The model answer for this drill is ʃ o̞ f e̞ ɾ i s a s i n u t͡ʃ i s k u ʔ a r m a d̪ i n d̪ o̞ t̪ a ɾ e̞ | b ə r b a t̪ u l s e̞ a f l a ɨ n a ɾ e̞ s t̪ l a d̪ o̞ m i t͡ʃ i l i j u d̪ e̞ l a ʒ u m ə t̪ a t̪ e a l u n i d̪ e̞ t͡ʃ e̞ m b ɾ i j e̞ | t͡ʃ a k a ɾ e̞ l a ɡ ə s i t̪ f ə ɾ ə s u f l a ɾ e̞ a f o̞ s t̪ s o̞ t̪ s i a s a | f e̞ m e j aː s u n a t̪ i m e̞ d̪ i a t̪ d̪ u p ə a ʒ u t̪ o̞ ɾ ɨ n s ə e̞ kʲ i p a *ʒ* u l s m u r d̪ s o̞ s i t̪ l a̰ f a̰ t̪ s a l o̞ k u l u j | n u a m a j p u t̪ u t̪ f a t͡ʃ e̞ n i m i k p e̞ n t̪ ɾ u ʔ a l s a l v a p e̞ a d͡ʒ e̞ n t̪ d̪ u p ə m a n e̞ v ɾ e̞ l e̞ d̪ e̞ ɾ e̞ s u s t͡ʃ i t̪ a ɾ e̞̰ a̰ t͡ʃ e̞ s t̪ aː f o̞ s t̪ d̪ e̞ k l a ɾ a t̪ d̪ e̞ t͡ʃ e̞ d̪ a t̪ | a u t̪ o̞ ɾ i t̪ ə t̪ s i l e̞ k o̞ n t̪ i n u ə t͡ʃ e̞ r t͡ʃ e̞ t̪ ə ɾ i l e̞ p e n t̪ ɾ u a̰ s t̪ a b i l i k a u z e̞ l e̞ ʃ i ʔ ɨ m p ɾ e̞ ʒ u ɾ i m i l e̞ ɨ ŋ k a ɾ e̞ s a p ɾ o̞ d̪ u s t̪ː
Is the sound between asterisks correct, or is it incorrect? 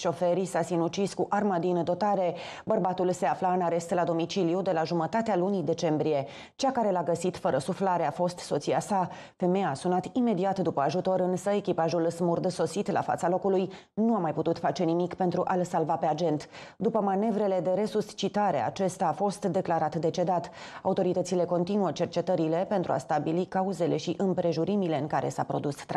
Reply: correct